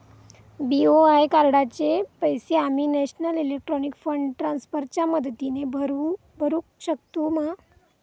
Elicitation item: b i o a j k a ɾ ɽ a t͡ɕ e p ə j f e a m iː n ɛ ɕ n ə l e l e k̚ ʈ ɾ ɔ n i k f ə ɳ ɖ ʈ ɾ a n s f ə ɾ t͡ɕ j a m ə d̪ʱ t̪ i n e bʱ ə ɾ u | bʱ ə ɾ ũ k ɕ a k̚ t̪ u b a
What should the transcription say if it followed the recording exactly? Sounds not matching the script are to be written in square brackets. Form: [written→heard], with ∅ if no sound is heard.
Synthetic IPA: b i o a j k a ɾ ɽ a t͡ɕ e p ə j [f→s] e a m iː n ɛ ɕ n ə l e l e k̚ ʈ ɾ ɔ n i k f ə ɳ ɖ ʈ ɾ a n s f ə ɾ t͡ɕ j a m ə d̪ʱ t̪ i n e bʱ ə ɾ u | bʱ ə ɾ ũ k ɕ [a→ə] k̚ t̪ u [b→m] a

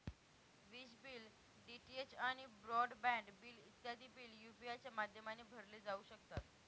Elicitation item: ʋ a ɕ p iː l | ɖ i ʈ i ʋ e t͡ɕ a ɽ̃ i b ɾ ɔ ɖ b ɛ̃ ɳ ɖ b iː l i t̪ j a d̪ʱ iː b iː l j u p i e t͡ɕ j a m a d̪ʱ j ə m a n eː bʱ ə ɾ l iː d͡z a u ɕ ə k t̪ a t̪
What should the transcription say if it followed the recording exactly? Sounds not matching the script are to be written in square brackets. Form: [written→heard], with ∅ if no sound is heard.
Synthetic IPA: ʋ [a→i] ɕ [p→b] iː l | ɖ i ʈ i [ʋ→∅] e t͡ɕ a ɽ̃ i b ɾ ɔ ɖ b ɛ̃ ɳ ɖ b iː l i t̪ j a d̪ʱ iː b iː l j u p i [e→a] t͡ɕ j a m a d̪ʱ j ə m a n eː bʱ ə ɾ l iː d͡z a u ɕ ə k t̪ a t̪

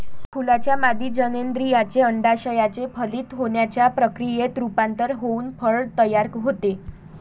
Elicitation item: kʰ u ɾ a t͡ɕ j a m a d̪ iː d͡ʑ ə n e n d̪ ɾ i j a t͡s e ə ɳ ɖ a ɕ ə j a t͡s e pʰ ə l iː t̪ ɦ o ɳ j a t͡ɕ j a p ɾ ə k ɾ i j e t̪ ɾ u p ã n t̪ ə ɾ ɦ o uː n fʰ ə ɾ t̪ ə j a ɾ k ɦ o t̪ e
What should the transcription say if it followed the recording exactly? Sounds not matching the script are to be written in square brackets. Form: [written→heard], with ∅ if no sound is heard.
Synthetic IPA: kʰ u [ɾ→l] a t͡ɕ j a m a d̪ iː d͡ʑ ə n e n d̪ ɾ i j a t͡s e ə ɳ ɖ a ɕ ə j a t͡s e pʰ ə l iː t̪ ɦ o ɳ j a t͡ɕ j a p ɾ ə k ɾ i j e t̪ ɾ u p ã n t̪ ə ɾ ɦ o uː n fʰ ə [ɾ→ɭ] t̪ ə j a ɾ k ɦ o t̪ e

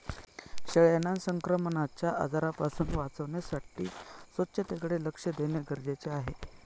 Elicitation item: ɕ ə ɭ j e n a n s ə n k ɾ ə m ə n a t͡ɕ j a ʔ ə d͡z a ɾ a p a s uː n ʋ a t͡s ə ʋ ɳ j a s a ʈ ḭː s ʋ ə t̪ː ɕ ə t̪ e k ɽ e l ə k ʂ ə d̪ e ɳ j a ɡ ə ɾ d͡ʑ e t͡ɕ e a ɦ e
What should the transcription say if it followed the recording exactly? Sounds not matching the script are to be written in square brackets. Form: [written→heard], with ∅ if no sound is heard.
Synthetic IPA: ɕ ə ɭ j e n a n s ə [n→ŋ] k ɾ ə m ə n a t͡ɕ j a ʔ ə d͡z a ɾ a p a s uː n ʋ a t͡s ə ʋ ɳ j a s a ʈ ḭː s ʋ ə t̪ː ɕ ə t̪ e k ɽ e l ə k ʂ ə d̪ e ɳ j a ɡ ə ɾ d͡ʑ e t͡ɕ e a ɦ e

